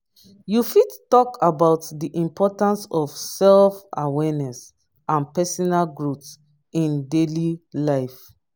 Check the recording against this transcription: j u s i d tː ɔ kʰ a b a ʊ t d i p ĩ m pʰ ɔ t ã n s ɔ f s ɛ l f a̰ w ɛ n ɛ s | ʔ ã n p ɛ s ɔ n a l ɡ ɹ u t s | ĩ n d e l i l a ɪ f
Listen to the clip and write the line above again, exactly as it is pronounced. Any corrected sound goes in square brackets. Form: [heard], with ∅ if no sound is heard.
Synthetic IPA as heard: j u [f] i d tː ɔ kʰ a b a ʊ t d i [ʔ] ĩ m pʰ ɔ t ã n s ɔ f s ɛ l f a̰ w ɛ n ɛ s | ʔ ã n p ɛ s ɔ n a l ɡ ɹ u t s | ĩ n d e l i l a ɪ f